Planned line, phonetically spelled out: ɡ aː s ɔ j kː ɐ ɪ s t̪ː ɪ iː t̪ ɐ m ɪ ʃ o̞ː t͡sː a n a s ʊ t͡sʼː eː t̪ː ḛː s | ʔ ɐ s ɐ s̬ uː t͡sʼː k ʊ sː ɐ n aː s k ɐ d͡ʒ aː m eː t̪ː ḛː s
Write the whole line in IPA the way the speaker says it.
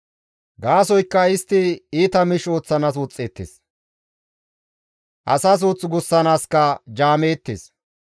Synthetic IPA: ɡ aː s ɔ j kː ɐ ɪ s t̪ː ɪ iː t̪ ɐ m ɪ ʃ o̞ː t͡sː ɐ n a s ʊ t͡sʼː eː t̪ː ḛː s | ʔ ɐ s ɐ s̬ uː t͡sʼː ɡ ʊ sː ɐ n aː s k ɐ d͡ʒ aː m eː t̪ː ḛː s